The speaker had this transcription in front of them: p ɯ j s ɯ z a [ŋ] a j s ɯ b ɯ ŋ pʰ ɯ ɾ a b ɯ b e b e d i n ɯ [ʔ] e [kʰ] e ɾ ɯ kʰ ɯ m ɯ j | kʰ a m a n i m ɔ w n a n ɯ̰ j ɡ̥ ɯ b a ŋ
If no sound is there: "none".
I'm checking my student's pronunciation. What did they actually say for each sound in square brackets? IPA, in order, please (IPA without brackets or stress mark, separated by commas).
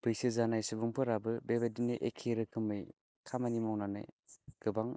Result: n, ʔ, kʰ